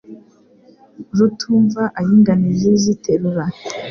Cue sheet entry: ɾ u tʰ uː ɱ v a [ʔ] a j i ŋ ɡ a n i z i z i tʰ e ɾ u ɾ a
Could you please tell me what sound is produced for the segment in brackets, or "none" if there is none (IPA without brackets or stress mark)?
ʔ